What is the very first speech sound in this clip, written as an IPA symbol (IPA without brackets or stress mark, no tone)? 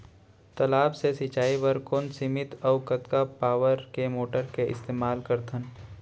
t̪